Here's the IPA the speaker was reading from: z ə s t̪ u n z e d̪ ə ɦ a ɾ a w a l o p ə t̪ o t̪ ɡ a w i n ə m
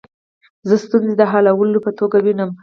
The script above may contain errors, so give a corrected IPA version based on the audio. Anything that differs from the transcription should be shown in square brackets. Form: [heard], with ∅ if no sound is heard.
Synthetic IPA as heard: z ə s t̪ u n z e d̪ ə ɦ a [l] a w [ə] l o p ə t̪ o [∅] ɡ a w i n ə m